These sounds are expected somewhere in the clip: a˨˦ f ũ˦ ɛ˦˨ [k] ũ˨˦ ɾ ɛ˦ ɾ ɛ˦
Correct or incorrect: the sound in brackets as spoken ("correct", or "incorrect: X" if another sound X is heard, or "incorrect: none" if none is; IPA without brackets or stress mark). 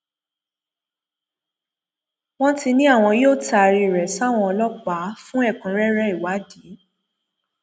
correct